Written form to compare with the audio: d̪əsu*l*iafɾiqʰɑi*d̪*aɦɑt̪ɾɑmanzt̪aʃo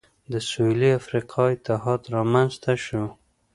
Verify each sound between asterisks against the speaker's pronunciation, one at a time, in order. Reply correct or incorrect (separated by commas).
correct, incorrect